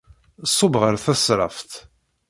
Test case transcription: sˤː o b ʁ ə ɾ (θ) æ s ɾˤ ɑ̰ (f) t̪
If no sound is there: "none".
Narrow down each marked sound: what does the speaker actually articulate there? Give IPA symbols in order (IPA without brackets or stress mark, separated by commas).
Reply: θ, f